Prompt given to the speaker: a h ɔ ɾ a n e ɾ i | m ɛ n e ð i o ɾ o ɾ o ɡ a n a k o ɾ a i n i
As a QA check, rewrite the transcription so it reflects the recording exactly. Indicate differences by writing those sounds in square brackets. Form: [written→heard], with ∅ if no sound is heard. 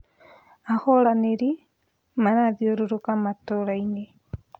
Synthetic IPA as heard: a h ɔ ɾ a n e ɾ i | m [ɛ→a] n [e→a] ð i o ɾ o ɾ o [ɡ→k] a [n→m] a [k→t] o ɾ a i n [i→e]